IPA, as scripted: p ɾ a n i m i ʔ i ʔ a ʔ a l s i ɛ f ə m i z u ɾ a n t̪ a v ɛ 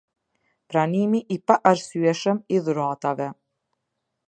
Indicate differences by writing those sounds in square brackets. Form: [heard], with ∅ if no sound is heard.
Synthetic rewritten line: p ɾ a n i m i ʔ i [p] a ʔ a [ɾ] s [y] ɛ [ʃ] ə m i [ð] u ɾ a [∅] t̪ a v ɛ